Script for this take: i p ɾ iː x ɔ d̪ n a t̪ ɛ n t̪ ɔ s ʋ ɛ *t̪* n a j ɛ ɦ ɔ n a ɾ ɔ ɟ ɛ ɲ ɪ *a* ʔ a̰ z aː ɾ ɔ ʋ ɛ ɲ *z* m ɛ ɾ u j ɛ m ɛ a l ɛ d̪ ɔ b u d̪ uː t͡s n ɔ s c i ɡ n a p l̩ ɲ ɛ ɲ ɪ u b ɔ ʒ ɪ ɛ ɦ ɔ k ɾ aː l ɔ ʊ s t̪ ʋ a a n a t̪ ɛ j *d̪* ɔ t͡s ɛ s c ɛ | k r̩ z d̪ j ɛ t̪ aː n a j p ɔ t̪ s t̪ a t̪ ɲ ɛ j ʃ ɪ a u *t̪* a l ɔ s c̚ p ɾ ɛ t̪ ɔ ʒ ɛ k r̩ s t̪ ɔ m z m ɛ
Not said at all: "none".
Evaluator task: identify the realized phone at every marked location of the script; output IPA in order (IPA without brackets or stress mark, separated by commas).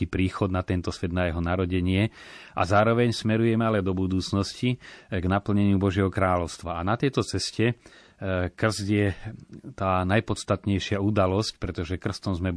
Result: d̪, ɛ, s, t̪, d̪